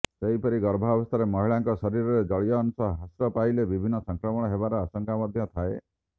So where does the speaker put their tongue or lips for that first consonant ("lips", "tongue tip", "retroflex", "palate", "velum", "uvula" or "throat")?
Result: tongue tip